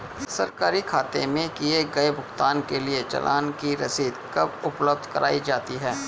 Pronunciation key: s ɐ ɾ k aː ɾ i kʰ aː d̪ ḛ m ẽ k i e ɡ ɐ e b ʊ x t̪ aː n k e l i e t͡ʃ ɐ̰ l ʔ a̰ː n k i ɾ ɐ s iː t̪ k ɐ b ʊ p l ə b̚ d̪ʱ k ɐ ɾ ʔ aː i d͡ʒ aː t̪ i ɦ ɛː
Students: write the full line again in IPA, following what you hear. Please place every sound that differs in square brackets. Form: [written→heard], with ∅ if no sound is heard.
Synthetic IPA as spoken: s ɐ ɾ k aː ɾ i kʰ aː [d̪→t̪] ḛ m ẽ k i e ɡ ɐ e b ʊ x t̪ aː n k e l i e t͡ʃ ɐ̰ l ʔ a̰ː n k i ɾ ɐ s iː [t̪→d̪] k ɐ b ʊ p l ə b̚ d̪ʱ k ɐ ɾ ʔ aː i d͡ʒ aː t̪ i ɦ ɛː